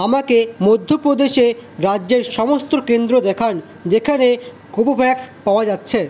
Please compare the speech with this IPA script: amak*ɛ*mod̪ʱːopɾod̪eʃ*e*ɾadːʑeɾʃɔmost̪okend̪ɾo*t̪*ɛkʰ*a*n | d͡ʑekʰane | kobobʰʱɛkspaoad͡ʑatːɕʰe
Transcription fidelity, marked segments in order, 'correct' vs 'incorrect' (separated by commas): incorrect, correct, incorrect, correct